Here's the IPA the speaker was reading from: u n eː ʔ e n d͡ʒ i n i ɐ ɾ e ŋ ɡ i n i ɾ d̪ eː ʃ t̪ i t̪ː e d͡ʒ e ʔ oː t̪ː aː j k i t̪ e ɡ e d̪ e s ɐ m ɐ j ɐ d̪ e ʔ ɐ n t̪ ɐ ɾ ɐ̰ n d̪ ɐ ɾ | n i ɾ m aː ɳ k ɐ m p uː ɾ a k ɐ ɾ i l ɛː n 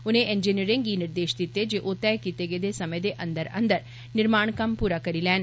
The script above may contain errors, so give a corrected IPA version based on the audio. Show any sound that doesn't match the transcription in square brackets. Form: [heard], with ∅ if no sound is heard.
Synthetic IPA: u n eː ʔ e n d͡ʒ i n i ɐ ɾ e ŋ ɡ i n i ɾ d̪ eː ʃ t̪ i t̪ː e d͡ʒ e ʔ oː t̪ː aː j k i t̪ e ɡ e d̪ e s ɐ m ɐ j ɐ d̪ e ʔ ɐ n [d̪] ɐ ɾ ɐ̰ n d̪ ɐ ɾ | n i ɾ m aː ɳ k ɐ m p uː ɾ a k ɐ ɾ i l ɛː n

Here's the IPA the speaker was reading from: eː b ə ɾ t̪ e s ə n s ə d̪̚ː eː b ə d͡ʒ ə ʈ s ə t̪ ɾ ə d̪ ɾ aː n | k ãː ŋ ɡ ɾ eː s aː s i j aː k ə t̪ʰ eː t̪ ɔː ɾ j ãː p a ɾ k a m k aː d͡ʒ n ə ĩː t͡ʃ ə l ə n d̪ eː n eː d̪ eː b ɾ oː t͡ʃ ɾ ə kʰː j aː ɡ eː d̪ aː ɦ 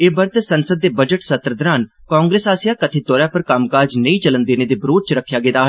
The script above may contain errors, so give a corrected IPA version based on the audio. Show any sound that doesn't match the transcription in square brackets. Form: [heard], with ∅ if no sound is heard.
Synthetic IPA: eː b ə ɾ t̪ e s ə n s ə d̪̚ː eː b ə d͡ʒ ə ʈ s ə t̪ ɾ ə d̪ ɾ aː n | k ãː ŋ ɡ ɾ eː s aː s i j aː k ə t̪ʰ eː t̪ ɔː ɾ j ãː p [ə] ɾ k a m k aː d͡ʒ n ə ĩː t͡ʃ ə l ə n d̪ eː n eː d̪ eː b ɾ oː t͡ʃ ɾ ə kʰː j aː ɡ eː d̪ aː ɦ

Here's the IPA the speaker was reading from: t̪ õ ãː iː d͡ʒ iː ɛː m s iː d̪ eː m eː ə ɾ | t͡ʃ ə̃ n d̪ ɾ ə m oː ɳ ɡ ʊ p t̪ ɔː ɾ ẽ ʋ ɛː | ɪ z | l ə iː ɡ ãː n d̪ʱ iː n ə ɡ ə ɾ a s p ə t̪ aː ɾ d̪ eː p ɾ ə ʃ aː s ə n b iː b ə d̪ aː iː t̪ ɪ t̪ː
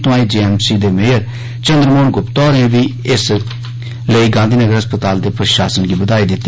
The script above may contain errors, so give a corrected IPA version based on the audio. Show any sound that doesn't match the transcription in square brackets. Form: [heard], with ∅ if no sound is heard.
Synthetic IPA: t̪ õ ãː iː d͡ʒ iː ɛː m s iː d̪ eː m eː ə ɾ | t͡ʃ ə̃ n d̪ ɾ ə m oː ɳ ɡ ʊ p t̪ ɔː ɾ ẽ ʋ [iː] | ɪ [s] | l ə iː ɡ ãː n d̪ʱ iː n ə ɡ ə ɾ [ə] s p ə t̪ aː [l] d̪ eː p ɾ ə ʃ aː s ə n [ɡ] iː b ə d̪ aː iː [d̪] ɪ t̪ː

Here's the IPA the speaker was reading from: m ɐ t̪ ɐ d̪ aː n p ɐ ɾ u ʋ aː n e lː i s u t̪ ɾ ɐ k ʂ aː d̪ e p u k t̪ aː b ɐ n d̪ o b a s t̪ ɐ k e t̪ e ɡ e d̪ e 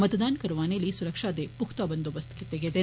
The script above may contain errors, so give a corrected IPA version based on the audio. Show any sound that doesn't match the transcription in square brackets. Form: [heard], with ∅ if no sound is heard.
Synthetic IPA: m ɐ t̪ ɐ d̪ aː n [k] ɐ ɾ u ʋ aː n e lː i s u [∅] ɾ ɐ k ʂ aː d̪ e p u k t̪ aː b ɐ n d̪ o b [ɐ] s t̪ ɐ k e t̪ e ɡ e d̪ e

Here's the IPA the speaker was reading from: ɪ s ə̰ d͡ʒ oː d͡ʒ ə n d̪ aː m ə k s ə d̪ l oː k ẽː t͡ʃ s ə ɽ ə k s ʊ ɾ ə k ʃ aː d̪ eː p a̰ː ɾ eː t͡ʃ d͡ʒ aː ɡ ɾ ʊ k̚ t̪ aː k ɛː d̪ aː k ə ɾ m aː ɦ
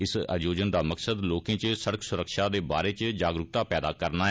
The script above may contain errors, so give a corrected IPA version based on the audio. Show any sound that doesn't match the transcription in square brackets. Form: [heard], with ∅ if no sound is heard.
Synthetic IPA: ɪ s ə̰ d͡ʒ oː d͡ʒ ə n d̪ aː m ə k s ə d̪ l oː k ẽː t͡ʃ s ə ɽ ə k s ʊ ɾ ə k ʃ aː d̪ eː [b] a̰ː ɾ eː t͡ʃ d͡ʒ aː ɡ ɾ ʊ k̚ t̪ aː [p] ɛː d̪ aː k ə ɾ [n] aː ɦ

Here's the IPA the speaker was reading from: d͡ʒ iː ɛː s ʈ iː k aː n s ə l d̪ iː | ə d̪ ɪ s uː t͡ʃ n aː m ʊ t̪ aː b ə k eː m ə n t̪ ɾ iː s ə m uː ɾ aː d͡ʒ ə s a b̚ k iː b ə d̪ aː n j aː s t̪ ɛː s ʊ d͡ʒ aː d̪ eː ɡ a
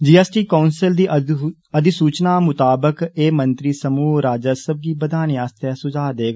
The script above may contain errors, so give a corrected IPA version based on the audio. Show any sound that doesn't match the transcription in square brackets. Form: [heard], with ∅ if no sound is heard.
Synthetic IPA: d͡ʒ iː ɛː s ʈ iː k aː n s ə l d̪ iː | ə d̪ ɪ s uː t͡ʃ n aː m ʊ t̪ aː b ə k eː m ə n t̪ ɾ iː s ə m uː ɾ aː d͡ʒ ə s [ə] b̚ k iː b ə d̪ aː n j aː s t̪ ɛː s ʊ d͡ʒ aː d̪ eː ɡ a

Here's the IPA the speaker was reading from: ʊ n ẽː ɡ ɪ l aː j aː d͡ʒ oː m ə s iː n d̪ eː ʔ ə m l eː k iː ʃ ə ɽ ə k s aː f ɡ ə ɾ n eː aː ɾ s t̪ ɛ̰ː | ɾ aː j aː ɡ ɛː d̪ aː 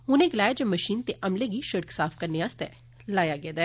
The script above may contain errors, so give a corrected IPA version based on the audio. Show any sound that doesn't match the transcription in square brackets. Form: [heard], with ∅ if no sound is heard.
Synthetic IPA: ʊ n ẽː ɡ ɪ l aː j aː d͡ʒ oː m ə [ʃ] iː n [t̪] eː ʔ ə m l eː [ɡ] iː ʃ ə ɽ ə k s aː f [k] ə ɾ n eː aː [∅] s t̪ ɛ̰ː | [l] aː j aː ɡ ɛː d̪ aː

